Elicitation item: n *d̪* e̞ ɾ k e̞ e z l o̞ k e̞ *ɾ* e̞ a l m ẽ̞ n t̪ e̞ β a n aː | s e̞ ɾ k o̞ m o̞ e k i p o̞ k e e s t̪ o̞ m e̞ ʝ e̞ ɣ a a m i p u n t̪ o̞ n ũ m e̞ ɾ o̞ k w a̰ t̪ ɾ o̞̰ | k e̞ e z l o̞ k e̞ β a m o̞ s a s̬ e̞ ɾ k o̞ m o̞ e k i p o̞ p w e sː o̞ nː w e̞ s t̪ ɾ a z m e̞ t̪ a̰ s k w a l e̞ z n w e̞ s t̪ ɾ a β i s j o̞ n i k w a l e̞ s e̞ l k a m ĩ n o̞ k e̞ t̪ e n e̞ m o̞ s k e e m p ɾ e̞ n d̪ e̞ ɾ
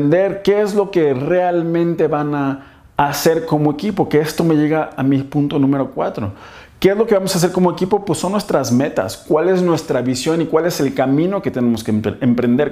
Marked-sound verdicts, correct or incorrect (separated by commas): correct, incorrect